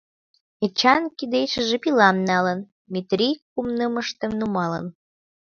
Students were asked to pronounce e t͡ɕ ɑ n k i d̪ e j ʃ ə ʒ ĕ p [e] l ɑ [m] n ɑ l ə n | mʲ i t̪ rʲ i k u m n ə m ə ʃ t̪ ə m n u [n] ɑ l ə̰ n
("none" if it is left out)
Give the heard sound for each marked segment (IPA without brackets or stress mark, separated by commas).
i, m, m